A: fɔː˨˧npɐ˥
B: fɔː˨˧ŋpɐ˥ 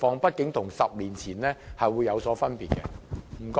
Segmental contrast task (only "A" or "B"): B